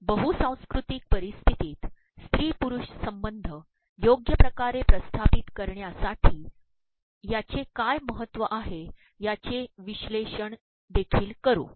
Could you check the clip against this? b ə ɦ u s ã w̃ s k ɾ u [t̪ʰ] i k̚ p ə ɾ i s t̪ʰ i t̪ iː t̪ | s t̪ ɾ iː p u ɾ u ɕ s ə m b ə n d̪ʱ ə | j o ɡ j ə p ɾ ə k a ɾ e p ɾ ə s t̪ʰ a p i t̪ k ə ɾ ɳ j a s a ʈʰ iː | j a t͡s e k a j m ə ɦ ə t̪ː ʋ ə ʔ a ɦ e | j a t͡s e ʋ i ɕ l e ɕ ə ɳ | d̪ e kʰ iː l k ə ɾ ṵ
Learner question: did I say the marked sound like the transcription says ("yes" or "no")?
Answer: no